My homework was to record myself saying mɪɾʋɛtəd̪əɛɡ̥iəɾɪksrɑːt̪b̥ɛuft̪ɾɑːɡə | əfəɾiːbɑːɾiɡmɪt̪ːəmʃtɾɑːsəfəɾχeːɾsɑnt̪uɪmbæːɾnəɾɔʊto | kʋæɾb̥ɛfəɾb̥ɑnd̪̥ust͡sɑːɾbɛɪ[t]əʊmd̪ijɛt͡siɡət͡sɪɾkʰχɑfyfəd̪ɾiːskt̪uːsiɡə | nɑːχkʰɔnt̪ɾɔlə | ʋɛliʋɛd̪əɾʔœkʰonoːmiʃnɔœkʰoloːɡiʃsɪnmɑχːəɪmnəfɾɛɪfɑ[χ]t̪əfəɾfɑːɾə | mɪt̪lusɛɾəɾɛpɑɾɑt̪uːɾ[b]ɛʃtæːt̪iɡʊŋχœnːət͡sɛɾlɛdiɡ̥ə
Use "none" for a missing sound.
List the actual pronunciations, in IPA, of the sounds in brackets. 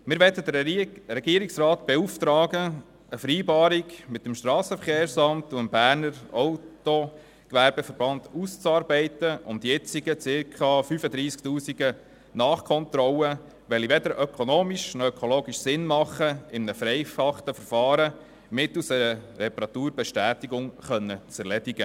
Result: t, χ, b

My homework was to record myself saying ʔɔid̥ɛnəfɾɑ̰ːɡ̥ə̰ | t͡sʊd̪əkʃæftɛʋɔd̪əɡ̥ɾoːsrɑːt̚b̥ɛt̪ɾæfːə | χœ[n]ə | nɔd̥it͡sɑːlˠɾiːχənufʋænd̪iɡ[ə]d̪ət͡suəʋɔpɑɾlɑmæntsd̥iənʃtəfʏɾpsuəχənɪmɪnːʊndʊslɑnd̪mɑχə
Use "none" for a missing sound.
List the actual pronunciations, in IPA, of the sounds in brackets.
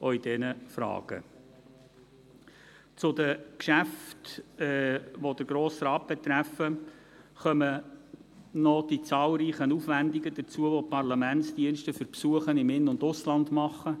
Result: m, ə

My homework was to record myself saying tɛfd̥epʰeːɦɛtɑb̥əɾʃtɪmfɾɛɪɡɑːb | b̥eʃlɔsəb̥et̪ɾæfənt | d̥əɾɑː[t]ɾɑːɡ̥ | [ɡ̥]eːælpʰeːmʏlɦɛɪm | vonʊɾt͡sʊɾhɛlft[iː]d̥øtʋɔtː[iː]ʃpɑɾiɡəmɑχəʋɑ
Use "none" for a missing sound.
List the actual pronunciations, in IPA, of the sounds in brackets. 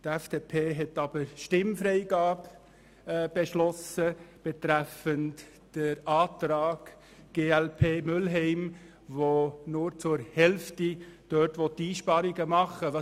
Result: t, ɡ̥, i, iː

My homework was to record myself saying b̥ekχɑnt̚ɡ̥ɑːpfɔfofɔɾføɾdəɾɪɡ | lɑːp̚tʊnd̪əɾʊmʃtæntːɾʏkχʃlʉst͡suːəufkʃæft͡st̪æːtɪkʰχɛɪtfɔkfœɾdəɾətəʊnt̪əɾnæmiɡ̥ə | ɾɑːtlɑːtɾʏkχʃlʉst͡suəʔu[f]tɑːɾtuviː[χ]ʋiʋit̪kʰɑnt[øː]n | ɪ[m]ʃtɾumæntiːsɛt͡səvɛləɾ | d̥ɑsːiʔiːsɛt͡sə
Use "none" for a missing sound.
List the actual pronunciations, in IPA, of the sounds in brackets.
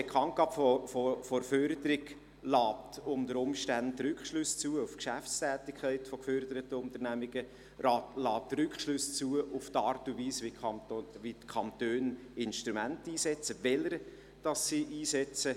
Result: f, s, øː, n

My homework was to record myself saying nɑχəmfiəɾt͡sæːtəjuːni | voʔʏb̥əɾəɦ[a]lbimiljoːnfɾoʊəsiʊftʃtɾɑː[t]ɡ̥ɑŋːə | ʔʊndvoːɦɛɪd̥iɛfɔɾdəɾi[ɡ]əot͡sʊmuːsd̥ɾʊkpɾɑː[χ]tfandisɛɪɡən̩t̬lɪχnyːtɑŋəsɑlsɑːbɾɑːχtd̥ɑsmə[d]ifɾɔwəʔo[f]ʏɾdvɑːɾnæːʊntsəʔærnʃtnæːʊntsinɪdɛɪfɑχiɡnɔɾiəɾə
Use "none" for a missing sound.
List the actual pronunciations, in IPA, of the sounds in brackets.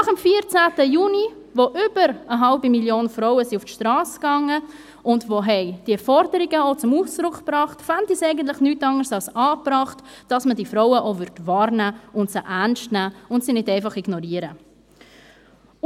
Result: ɑ, s, ɡ, χ, d, v

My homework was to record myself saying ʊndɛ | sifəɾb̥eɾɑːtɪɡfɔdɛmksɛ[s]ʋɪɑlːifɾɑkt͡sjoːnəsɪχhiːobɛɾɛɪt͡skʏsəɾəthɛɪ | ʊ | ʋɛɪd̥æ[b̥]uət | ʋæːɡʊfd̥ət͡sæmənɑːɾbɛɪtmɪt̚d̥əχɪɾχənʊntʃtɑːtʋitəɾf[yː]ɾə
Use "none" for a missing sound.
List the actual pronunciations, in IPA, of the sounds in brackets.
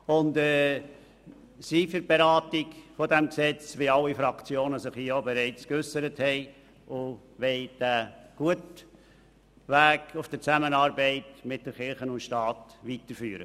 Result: t͡s, ɡ̥, yː

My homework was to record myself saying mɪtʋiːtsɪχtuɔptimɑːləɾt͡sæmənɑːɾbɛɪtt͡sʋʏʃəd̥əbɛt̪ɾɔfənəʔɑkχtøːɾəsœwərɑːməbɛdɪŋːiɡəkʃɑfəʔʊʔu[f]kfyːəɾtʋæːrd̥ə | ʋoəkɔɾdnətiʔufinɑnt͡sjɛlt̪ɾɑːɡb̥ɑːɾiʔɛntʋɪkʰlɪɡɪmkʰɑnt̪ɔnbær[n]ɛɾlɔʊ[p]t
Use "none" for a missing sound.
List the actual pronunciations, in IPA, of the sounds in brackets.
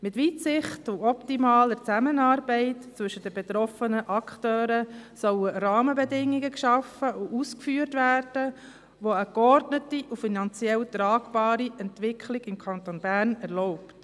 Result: s, n, p

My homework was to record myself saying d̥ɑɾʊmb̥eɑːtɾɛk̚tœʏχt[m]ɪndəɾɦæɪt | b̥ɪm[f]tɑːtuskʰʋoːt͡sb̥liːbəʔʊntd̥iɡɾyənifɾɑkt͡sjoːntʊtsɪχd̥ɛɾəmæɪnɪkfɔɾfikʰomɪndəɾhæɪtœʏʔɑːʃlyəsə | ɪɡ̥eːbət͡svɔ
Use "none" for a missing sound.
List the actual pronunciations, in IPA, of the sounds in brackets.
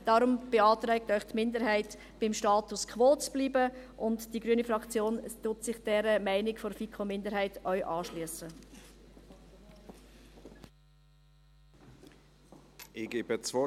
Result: m, ʃ

